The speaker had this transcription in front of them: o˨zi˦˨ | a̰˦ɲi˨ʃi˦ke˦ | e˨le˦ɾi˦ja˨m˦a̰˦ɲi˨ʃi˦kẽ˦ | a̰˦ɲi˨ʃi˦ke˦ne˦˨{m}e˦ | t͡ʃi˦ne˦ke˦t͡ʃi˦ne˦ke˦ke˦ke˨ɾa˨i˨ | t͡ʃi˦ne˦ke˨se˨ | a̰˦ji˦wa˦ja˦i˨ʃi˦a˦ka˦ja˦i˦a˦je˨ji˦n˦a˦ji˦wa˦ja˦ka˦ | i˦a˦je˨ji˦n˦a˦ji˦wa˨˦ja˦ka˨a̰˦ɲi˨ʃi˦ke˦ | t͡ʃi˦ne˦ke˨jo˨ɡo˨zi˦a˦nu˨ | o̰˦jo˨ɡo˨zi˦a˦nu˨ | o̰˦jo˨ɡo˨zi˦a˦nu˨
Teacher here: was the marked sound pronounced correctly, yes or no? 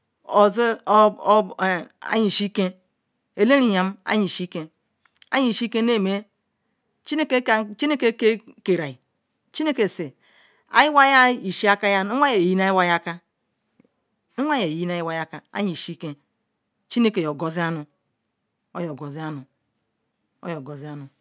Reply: yes